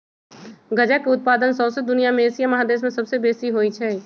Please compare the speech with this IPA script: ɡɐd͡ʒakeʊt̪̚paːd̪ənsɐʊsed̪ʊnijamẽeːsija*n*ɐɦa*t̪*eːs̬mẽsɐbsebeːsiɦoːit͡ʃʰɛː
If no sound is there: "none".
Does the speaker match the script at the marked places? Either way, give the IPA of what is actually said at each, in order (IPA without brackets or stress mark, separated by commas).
m, d̪